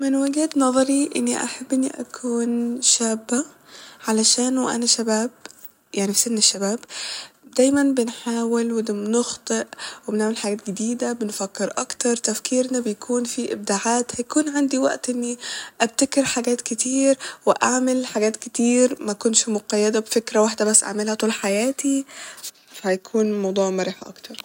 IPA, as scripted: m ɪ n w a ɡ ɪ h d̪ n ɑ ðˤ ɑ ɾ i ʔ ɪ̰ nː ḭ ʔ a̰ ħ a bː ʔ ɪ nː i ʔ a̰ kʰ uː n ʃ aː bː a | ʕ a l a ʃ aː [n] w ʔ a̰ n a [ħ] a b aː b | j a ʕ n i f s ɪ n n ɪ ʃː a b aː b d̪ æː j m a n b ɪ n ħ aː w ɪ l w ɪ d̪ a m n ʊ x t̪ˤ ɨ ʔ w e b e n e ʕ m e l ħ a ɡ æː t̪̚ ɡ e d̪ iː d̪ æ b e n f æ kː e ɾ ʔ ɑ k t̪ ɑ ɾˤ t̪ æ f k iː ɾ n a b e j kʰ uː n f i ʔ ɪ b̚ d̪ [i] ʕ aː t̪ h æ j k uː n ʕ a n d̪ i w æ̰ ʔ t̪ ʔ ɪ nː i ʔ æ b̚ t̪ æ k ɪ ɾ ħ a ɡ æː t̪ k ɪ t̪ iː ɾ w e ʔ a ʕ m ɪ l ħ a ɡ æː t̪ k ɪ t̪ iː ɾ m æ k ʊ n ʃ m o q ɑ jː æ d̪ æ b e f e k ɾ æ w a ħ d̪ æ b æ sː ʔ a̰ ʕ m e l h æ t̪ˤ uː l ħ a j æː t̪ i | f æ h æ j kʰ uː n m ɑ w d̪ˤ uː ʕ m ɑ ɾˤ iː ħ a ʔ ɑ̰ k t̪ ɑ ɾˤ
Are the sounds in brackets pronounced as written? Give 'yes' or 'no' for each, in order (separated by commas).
yes, no, no